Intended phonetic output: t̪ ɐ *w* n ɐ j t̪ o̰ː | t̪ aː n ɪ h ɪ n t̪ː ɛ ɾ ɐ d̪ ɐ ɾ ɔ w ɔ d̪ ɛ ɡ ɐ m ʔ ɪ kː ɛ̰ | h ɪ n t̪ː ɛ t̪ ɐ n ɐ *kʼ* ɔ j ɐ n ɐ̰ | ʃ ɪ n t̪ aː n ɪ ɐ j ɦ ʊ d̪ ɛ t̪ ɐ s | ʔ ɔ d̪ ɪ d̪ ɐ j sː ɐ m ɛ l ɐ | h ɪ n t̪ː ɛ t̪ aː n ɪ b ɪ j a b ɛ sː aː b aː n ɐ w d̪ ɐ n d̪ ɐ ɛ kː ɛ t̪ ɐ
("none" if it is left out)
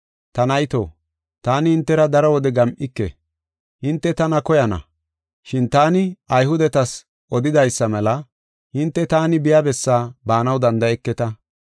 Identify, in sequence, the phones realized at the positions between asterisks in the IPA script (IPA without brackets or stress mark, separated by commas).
none, k